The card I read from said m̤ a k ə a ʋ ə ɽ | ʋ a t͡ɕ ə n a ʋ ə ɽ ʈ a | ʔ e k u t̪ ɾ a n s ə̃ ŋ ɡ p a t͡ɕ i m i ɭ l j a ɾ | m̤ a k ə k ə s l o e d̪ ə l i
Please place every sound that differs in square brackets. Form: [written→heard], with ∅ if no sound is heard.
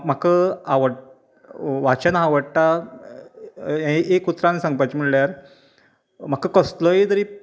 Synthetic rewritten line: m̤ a k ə a ʋ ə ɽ | ʋ a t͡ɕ ə n a ʋ ə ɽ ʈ a | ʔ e k u t̪ ɾ a n s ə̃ ŋ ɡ p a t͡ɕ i m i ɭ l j a ɾ | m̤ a k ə k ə s l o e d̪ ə [l→ɾ] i